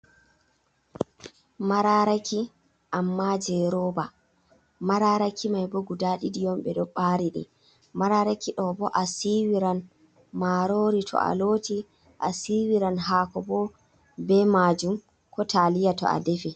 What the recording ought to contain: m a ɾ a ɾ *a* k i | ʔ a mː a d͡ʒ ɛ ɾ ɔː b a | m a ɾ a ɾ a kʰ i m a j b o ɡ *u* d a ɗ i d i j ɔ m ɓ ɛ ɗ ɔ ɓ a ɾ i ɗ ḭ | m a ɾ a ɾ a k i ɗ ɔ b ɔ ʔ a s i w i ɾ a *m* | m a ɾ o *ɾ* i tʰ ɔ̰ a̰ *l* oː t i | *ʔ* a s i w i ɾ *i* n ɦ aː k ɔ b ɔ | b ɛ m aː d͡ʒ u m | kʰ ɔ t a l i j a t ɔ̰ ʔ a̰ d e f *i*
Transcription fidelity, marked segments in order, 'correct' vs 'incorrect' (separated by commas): correct, correct, incorrect, correct, correct, correct, incorrect, correct